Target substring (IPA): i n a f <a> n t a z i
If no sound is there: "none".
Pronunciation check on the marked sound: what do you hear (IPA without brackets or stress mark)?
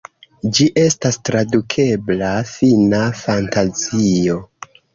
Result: a